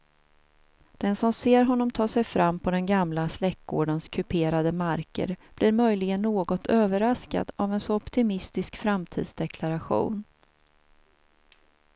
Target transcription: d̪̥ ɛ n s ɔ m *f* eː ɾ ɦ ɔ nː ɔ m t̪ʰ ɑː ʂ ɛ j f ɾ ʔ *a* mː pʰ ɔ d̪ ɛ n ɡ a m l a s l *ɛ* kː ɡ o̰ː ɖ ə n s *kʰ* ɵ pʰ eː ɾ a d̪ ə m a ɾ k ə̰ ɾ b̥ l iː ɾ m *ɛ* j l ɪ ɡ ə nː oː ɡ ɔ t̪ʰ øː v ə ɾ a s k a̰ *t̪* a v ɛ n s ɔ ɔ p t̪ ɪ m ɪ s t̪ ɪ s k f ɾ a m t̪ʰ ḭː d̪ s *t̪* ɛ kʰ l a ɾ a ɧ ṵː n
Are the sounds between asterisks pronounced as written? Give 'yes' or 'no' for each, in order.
no, yes, yes, yes, no, no, no

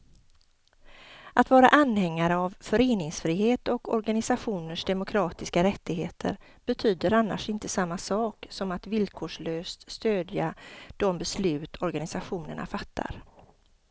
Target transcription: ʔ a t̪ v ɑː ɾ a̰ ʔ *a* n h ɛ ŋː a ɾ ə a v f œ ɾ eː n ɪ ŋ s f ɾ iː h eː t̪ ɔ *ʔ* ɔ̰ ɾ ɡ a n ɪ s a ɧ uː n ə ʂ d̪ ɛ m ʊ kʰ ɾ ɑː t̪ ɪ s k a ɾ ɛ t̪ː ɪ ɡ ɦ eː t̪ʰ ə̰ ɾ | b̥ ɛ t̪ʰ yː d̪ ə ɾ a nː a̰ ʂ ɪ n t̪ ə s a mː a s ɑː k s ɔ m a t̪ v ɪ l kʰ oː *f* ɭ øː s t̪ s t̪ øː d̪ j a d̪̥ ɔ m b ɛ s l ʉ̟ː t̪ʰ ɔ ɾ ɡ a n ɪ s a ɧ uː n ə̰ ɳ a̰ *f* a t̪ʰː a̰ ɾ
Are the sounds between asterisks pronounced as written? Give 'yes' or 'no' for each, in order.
yes, no, no, yes

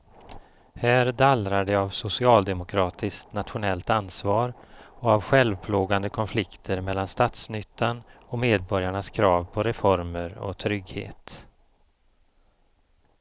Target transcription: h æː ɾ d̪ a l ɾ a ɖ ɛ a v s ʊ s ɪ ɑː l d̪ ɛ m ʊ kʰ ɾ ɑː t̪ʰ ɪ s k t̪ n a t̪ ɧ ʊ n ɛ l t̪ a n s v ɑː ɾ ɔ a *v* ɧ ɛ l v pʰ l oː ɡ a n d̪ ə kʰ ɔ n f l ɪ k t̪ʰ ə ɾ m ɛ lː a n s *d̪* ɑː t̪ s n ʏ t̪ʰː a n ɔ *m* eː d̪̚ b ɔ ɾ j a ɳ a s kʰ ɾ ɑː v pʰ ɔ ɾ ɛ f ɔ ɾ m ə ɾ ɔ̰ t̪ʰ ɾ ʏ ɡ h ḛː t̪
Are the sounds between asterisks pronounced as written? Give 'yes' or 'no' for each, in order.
yes, no, yes

